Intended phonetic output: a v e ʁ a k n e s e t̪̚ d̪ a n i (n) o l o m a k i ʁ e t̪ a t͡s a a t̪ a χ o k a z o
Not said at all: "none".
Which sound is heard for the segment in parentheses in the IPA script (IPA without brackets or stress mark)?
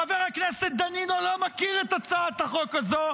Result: n